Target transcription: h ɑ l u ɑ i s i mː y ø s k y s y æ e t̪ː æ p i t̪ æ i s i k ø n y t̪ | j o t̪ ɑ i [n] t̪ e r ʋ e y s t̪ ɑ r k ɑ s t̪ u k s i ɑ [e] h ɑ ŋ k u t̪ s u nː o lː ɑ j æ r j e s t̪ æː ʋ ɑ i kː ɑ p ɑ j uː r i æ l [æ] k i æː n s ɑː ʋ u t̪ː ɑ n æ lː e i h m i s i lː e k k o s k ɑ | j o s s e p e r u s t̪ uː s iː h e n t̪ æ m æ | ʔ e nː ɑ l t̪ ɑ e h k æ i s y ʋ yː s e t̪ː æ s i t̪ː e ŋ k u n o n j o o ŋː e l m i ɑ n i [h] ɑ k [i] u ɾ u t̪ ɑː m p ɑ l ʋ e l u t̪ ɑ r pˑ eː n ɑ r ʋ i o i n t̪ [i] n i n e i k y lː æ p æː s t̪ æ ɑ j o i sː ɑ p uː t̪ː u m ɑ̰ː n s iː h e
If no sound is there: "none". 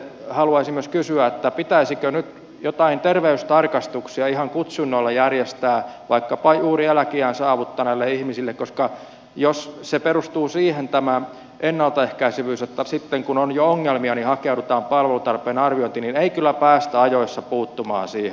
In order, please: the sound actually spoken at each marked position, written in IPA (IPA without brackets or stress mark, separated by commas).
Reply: n, i, æ, h, e, i